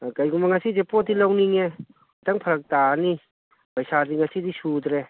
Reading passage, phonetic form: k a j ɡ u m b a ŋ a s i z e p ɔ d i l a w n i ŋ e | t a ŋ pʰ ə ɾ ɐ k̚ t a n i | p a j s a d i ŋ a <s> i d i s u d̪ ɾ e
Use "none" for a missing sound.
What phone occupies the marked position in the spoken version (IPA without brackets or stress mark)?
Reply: s